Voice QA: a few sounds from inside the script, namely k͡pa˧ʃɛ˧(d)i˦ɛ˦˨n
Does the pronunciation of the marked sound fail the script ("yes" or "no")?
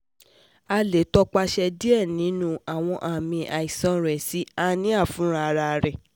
no